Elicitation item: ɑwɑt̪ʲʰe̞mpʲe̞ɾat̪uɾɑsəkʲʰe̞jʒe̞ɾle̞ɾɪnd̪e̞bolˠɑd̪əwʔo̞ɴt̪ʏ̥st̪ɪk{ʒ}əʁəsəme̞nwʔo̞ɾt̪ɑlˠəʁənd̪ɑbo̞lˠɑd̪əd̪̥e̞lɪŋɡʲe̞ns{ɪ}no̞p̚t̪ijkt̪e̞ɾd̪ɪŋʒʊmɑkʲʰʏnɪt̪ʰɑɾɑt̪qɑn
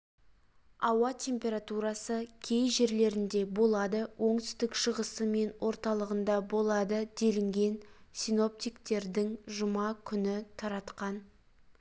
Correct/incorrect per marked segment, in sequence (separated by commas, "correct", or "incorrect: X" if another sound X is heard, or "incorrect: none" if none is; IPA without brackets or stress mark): incorrect: ʃ, incorrect: i